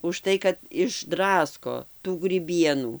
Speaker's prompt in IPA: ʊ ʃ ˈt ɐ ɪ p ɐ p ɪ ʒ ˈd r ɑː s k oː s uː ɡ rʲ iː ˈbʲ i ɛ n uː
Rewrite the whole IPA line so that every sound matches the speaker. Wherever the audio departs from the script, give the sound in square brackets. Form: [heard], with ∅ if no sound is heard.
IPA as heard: ʊ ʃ ˈt ɐ ɪ [k] ɐ [t] ɪ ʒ ˈd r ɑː s k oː [t] uː ɡ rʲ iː ˈbʲ i ɛ n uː